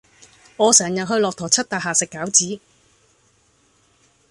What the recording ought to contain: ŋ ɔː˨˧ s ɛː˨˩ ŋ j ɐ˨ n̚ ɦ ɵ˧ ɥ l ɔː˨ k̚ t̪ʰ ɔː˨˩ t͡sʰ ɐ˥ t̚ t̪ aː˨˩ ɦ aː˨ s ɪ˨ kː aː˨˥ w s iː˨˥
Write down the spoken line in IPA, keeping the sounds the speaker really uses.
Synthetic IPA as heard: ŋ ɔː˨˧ s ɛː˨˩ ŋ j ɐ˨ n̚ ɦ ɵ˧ ɥ l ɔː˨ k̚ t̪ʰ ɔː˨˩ t͡sʰ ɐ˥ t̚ t̪ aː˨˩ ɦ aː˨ s ɪ˨ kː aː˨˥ w t͡s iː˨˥